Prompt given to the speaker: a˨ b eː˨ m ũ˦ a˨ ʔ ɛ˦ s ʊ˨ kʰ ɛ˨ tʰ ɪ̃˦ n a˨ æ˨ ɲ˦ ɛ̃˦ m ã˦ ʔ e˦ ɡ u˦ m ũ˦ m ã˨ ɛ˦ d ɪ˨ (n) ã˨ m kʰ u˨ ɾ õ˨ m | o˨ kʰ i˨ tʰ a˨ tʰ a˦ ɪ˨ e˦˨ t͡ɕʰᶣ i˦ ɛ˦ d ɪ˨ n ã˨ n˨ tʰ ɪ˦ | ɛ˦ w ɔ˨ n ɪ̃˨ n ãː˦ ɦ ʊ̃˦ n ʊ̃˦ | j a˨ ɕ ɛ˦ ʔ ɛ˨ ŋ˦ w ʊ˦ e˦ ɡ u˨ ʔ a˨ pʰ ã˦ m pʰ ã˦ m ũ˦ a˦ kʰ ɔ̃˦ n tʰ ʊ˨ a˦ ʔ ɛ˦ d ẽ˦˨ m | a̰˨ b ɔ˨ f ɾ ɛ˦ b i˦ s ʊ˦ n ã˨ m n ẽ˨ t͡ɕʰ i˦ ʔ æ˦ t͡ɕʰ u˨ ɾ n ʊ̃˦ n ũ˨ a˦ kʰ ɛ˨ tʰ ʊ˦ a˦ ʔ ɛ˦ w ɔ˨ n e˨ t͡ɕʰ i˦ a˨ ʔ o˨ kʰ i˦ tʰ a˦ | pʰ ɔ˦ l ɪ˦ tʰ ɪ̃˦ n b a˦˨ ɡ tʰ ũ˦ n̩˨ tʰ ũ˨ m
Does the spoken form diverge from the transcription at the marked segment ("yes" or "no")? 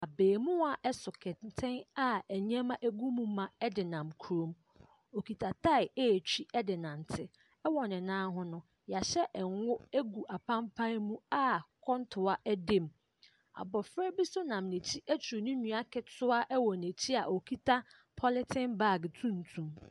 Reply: no